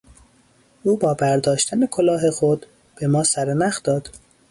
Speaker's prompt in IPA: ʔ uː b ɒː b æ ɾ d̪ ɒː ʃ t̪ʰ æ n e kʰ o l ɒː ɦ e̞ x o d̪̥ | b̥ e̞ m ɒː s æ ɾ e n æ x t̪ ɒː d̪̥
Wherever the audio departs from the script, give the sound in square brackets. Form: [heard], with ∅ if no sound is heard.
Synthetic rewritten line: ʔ uː b ɒː b æ ɾ d̪ ɒː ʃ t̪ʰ æ n e kʰ o l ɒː ɦ e̞ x o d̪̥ | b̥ e̞ m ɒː s æ ɾ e n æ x [d̪] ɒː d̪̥